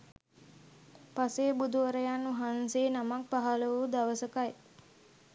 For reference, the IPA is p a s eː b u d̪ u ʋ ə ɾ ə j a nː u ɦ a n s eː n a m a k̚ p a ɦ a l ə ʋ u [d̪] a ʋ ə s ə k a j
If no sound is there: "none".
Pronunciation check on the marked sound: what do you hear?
d̪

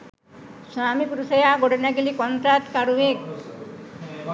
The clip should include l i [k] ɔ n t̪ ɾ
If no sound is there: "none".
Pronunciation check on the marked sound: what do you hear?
k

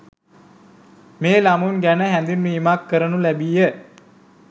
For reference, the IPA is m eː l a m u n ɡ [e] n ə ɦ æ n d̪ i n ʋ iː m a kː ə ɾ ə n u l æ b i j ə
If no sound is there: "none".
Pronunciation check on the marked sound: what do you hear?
æ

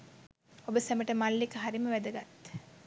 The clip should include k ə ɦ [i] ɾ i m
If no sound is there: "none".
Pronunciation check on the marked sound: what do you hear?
a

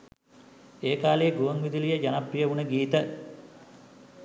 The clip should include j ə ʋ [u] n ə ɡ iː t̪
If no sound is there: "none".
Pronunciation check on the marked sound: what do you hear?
u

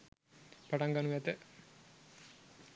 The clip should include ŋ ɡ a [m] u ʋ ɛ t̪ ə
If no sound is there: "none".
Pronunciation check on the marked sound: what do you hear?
n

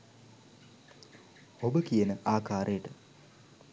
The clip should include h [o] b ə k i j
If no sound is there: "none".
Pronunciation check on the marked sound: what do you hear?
o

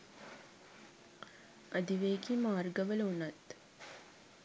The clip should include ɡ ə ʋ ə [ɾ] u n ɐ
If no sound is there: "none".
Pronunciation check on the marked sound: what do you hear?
l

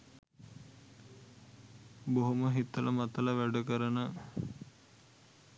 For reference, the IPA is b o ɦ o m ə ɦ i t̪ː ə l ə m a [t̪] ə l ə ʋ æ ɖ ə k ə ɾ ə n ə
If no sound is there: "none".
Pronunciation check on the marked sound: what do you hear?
t̪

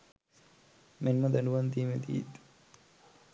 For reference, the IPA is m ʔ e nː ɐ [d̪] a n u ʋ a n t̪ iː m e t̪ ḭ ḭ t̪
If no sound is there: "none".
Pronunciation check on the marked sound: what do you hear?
d̪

